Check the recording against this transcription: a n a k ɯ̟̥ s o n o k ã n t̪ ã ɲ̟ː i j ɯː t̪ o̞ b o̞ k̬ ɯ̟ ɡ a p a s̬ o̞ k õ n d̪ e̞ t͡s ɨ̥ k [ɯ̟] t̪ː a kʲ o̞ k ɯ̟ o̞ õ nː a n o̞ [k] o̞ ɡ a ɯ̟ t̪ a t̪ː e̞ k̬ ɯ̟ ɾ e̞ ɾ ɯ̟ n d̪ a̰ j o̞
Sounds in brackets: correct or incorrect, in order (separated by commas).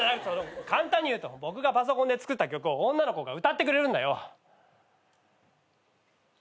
correct, correct